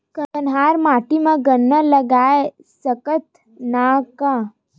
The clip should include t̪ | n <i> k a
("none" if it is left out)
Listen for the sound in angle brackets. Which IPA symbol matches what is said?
a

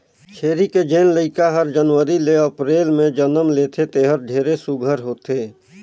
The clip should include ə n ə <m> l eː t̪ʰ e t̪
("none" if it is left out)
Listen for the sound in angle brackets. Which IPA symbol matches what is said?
m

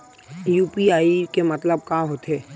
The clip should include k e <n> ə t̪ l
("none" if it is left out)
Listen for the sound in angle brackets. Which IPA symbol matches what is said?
m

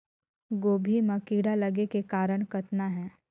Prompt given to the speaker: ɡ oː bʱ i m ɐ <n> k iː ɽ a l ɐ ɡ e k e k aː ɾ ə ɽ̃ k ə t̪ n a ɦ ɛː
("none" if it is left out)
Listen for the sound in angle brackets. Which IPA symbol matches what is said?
none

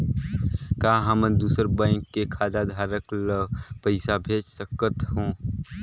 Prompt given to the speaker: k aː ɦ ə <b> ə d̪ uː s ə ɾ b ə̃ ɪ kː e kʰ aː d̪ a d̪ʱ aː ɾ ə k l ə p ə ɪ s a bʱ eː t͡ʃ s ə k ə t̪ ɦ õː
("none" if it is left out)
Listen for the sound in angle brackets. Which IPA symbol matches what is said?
m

